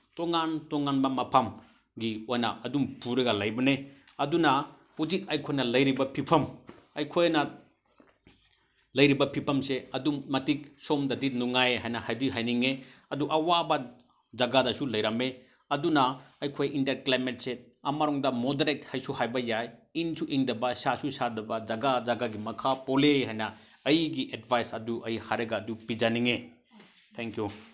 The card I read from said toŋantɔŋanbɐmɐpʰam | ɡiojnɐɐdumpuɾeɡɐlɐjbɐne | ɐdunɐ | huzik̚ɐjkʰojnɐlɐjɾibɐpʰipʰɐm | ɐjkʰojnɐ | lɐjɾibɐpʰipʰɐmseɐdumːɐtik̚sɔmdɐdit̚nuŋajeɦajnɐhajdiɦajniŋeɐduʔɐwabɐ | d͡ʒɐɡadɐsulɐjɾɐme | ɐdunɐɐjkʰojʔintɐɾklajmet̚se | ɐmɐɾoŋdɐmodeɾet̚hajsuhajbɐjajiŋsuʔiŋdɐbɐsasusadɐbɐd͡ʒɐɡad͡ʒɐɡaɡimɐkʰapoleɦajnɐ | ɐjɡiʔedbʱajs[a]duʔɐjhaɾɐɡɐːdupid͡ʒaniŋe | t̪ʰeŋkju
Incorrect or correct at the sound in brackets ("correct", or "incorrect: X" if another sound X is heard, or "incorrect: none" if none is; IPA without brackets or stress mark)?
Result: incorrect: ɐ